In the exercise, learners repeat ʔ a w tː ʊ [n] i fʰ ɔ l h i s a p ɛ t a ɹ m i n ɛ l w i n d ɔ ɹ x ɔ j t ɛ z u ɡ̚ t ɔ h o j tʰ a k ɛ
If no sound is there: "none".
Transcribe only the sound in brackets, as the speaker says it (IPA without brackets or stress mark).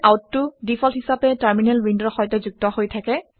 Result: d